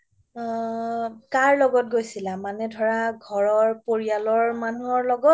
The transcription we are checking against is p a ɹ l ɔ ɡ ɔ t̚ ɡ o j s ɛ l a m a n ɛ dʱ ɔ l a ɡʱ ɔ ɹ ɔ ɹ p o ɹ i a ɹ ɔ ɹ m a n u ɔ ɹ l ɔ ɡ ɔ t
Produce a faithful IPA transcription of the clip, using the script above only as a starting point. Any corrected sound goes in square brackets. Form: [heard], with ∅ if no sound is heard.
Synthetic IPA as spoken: [k] a ɹ l ɔ ɡ ɔ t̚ ɡ o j s [i] l a m a n ɛ dʱ ɔ [ɹ] a ɡʱ ɔ ɹ ɔ ɹ p o ɹ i a [l] ɔ ɹ m a n u ɔ ɹ l ɔ ɡ ɔ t